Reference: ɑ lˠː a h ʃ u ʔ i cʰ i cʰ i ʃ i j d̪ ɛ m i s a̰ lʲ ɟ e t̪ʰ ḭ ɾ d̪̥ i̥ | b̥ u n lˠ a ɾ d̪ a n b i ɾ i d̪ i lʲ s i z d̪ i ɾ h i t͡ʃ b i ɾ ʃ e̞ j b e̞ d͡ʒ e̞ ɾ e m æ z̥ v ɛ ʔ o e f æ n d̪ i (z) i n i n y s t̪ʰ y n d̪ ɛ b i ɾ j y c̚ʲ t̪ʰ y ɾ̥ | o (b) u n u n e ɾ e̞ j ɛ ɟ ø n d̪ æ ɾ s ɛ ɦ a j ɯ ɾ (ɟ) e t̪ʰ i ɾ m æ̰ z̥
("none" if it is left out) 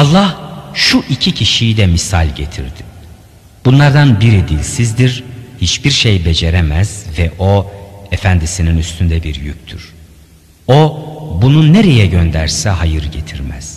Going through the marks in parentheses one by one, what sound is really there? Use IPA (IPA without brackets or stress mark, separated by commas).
s, b, ɟ